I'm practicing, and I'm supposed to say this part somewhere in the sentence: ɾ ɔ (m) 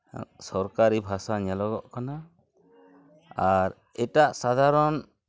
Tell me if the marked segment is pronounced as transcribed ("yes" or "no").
no